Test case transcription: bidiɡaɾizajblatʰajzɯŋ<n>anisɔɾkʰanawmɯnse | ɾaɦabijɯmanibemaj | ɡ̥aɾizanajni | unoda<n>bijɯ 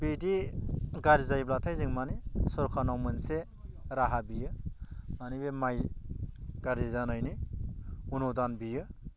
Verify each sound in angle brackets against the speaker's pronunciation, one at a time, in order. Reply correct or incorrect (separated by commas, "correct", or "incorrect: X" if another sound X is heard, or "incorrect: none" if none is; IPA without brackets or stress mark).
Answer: incorrect: m, correct